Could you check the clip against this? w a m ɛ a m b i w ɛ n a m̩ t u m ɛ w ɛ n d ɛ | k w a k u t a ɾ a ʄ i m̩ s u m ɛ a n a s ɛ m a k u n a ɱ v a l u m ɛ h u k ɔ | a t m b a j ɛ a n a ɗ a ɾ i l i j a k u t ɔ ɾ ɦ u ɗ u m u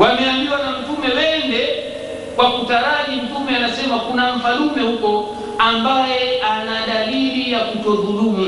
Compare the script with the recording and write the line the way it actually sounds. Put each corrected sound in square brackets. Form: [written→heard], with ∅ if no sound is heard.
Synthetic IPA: w a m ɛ a m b i w [ɛ→a] n a m̩ t u m ɛ w ɛ n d ɛ | k w a k u t a ɾ a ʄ i m̩ [s→t] u m ɛ a n a s ɛ m a k u n a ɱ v a l u m ɛ h u k ɔ | a [t→∅] m b a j ɛ a n a ɗ a [ɾ→l] i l i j a k u t ɔ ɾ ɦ u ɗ u m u